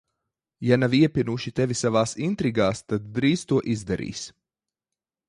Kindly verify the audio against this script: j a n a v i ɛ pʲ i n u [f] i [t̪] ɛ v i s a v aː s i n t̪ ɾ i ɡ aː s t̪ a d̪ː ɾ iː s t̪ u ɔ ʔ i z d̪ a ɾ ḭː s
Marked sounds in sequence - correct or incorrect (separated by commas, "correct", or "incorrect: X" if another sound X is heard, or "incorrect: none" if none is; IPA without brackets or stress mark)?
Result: incorrect: ʃ, correct